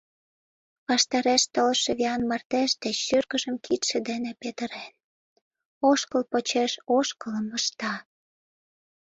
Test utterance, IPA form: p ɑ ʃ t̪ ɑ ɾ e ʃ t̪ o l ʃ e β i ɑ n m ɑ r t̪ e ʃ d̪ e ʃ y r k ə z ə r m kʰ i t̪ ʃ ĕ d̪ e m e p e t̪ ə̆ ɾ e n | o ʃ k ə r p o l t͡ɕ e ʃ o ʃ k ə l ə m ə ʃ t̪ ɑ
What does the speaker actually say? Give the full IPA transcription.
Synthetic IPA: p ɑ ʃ t̪ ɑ ɾ e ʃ t̪ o l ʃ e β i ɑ n m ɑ r t̪ e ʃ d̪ e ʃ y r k ə ʒ ə m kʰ i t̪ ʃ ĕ d̪ e n e p e t̪ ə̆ ɾ e n | o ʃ k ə l p o t͡ɕ e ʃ o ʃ k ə l ə m ə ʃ t̪ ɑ